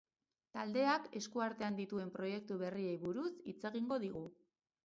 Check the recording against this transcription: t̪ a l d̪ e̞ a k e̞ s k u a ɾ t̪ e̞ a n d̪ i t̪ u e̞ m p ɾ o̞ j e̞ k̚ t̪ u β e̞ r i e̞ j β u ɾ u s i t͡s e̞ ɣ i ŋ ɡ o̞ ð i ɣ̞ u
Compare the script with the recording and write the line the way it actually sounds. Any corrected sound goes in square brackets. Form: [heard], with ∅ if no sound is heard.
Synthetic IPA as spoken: t̪ a l d̪ e̞ a k e̞ s k u a ɾ t̪ e̞ a n d̪ i t̪ u e̞ m p ɾ o̞ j e̞ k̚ t̪ u β e̞ r i e̞ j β u ɾ u s i t͡s e̞ ɣ i ŋ ɡ o̞ ð i ɣ̞ u